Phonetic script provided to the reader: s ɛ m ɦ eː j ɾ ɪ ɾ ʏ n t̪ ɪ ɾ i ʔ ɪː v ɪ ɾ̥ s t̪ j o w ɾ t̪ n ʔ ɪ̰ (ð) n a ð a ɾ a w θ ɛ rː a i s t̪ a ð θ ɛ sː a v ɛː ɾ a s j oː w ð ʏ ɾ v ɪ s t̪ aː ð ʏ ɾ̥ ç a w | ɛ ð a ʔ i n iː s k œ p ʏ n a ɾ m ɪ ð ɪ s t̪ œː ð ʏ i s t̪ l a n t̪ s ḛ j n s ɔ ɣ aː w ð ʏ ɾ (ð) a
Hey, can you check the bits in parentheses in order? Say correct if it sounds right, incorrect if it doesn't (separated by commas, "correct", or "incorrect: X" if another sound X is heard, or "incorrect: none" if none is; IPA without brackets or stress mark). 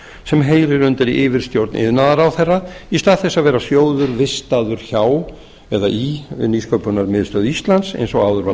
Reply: correct, incorrect: v